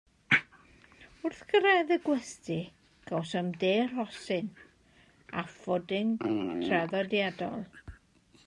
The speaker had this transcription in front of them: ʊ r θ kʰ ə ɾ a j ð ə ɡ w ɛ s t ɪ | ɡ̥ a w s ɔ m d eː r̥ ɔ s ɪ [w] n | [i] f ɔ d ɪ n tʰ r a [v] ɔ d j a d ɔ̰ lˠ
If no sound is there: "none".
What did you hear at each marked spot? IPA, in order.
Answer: none, a, ð

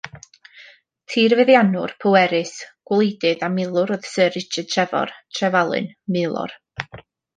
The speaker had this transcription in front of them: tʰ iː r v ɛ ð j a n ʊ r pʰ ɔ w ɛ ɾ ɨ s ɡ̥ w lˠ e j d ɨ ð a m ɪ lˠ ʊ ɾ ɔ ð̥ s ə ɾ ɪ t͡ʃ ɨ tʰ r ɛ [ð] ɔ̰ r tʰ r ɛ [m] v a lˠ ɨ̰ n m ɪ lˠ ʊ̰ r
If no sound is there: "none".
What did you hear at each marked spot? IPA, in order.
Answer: v, none

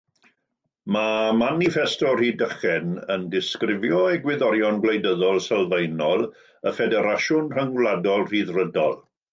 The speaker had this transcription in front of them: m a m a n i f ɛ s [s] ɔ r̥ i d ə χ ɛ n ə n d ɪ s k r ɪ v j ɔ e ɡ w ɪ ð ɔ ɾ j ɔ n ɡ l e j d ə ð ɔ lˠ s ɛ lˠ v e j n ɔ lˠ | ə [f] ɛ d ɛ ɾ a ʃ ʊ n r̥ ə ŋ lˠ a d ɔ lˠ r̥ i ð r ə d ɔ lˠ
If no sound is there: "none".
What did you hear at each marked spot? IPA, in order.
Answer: t, f

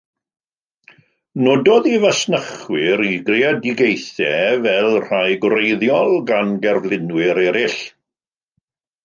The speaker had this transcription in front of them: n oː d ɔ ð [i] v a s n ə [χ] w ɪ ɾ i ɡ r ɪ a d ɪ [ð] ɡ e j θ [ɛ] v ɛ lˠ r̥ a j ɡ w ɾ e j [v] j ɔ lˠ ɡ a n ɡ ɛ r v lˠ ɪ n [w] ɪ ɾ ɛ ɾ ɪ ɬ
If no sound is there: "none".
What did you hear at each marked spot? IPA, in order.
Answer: i, χ, none, ɛ, ð, w

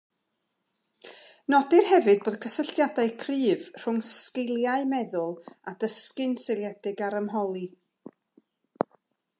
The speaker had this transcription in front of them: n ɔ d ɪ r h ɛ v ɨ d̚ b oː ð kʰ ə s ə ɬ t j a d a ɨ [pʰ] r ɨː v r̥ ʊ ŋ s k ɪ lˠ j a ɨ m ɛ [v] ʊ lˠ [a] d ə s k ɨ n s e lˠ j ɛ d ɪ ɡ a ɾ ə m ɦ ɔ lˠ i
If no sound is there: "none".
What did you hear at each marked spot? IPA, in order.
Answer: kʰ, ð, a

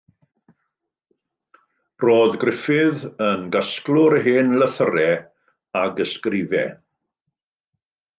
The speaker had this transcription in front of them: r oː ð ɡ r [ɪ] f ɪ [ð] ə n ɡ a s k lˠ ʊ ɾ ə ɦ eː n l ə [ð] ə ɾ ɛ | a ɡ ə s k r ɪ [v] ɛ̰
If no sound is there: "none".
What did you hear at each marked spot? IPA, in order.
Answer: ɪ, ð, θ, v

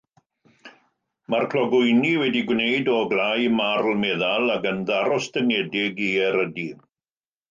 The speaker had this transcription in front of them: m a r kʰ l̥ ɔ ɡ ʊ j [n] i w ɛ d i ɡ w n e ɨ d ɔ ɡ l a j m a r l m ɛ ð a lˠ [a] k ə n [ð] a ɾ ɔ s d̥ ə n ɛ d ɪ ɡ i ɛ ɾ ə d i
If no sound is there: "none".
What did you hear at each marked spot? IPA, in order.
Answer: n, a, ð

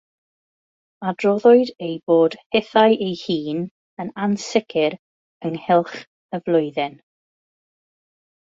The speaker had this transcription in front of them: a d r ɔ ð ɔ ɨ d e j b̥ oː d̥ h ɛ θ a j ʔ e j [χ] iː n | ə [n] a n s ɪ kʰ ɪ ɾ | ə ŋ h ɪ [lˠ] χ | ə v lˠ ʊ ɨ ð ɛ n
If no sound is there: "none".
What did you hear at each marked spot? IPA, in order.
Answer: h, n, lˠ

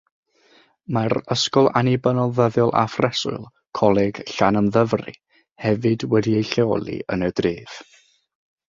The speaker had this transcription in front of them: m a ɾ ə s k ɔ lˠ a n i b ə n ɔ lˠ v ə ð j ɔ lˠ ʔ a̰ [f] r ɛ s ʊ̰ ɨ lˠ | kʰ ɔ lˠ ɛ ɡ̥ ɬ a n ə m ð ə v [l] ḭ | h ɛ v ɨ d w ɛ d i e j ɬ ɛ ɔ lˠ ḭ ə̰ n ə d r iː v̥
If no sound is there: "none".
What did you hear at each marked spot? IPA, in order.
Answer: f, r

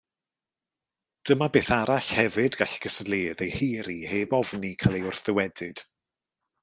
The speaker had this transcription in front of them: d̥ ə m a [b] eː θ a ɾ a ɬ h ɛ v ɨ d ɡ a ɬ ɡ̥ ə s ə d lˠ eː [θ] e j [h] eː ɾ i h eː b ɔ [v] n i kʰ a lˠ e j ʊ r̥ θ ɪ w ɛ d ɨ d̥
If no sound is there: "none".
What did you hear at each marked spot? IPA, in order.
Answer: b, ð, h, v

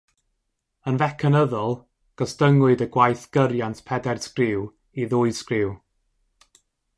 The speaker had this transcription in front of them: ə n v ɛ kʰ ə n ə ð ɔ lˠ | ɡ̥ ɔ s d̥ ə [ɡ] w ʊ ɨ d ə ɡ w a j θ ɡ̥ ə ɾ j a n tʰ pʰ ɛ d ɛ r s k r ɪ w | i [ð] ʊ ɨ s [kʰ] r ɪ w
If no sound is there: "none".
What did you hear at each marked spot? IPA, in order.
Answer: ŋ, ð, k

